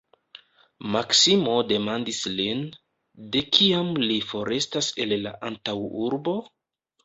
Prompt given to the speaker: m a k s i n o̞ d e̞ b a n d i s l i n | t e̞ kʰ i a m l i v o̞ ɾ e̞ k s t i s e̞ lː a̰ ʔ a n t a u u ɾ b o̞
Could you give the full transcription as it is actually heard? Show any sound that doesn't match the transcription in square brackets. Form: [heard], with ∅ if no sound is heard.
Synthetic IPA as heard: m a k s i [m] o̞ d e̞ [m] a n d i s l i n | [d] e̞ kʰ i a m l i [f] o̞ ɾ e̞ [∅] s t [a] s e̞ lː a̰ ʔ a n t a [w] u ɾ b o̞